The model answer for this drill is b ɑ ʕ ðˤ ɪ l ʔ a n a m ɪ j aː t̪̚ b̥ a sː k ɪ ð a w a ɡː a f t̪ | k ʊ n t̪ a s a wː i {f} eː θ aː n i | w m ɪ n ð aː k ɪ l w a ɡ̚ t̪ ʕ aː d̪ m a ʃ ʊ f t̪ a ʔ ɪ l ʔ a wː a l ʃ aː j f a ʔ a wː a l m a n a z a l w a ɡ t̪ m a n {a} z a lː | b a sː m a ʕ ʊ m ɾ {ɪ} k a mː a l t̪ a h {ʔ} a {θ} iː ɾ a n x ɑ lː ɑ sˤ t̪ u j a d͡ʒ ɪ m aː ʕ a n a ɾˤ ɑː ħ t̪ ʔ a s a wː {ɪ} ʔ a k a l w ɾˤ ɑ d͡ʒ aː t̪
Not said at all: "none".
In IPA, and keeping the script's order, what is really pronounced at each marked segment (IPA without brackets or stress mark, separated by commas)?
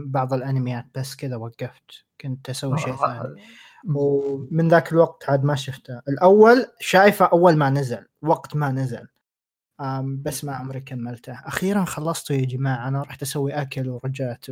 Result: ʃ, a, i, ʔ, x, i